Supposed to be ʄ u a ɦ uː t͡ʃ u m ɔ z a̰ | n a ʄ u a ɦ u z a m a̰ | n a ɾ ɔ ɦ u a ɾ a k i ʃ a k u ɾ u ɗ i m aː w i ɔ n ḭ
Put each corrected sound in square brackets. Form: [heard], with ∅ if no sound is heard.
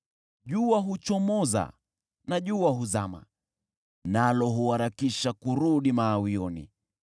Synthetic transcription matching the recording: ʄ u a ɦ [u] t͡ʃ [ɔ] m ɔ z a̰ | n a ʄ u a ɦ u z a m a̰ | n a [l] ɔ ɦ u a ɾ a k i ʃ a k u ɾ u ɗ i m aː w i ɔ n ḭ